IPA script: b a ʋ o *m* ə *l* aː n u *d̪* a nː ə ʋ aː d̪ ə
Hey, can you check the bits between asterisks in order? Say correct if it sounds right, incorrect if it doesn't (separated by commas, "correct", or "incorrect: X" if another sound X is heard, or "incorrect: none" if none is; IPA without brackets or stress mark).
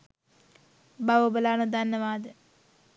incorrect: b, correct, correct